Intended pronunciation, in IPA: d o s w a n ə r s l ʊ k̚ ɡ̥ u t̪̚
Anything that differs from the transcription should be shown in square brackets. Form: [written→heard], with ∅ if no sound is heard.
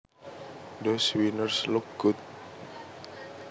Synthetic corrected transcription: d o s w [a→i] n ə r s l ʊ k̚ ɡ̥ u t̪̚